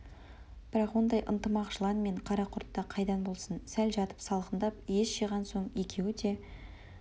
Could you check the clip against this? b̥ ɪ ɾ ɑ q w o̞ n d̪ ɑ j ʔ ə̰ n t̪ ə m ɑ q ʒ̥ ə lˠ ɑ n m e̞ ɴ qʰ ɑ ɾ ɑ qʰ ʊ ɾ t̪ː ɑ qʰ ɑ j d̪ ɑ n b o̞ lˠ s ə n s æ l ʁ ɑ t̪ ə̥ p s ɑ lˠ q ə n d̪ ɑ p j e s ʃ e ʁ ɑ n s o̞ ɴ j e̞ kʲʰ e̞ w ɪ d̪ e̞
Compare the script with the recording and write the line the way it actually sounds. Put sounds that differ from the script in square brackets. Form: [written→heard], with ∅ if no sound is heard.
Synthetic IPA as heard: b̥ ɪ ɾ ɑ q w o̞ n d̪ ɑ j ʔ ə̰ n t̪ ə m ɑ q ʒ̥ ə lˠ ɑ n m e̞ ɴ qʰ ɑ ɾ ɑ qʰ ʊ ɾ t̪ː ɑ qʰ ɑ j d̪ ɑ n b o̞ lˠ s ə n s æ l [ʁ→ʒ] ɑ t̪ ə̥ p s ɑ lˠ q ə n d̪ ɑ p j e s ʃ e ʁ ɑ n s o̞ ɴ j e̞ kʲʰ e̞ w ɪ d̪ e̞